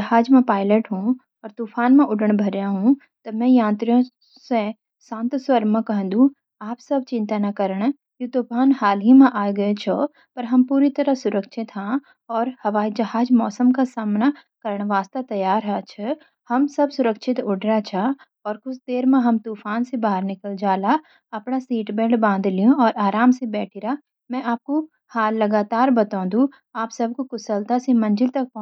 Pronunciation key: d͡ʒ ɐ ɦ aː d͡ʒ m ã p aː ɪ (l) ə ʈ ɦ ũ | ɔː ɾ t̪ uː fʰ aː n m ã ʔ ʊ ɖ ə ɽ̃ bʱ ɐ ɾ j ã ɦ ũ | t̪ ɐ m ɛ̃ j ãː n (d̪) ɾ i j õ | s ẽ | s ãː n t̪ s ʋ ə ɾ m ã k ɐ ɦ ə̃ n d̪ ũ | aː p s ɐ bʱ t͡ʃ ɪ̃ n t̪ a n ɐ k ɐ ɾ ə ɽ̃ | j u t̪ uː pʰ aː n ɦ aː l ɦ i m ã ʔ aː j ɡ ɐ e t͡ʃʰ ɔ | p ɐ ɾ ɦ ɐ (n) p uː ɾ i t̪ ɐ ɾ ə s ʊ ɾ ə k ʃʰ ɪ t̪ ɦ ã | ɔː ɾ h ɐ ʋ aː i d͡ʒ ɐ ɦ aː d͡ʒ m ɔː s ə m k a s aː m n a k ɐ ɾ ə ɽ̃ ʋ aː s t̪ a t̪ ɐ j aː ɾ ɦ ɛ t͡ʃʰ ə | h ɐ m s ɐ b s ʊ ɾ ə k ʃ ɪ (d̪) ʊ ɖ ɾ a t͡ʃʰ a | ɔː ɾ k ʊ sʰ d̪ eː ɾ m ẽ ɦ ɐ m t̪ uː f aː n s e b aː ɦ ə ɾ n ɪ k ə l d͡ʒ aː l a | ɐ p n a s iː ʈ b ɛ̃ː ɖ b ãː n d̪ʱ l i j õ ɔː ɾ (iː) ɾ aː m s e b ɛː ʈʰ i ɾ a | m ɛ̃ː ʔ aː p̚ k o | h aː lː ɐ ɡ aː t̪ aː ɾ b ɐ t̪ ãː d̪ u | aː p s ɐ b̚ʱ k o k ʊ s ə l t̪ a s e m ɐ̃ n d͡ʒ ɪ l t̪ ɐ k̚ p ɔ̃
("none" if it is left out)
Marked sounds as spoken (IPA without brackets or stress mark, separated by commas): l, t̪, m, t̪, aː